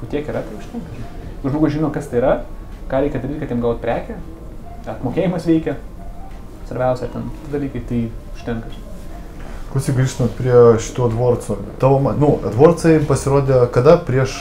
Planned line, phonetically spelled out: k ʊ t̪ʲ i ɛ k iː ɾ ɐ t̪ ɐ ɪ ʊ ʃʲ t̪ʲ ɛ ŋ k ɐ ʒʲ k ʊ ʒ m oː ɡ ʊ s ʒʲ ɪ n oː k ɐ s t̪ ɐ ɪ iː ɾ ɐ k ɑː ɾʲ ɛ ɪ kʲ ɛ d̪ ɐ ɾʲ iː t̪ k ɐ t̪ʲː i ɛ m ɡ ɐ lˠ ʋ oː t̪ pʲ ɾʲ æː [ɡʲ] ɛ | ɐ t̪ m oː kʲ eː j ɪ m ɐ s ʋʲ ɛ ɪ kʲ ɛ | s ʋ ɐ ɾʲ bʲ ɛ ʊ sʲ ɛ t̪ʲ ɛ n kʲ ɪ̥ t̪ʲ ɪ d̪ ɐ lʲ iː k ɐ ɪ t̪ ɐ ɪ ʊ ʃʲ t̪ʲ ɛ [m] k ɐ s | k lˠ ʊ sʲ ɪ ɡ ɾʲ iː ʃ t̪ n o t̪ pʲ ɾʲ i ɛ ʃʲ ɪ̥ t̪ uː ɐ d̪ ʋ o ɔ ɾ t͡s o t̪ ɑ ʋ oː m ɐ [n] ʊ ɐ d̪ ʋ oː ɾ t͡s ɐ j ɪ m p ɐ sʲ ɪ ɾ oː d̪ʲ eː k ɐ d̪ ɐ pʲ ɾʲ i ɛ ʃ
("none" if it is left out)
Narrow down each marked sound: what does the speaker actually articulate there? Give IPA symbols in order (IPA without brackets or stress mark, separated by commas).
kʲ, ŋ, n